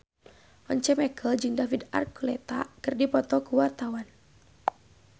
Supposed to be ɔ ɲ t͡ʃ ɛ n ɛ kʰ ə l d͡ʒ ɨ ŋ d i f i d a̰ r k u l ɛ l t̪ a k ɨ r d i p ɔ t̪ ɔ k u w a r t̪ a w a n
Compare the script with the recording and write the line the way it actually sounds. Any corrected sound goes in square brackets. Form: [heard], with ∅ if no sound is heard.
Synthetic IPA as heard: ɔ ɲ t͡ʃ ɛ [m] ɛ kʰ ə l d͡ʒ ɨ ŋ d [a] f i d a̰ r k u l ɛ [∅] t̪ a k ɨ r d i p ɔ t̪ ɔ k u w a r t̪ a w a n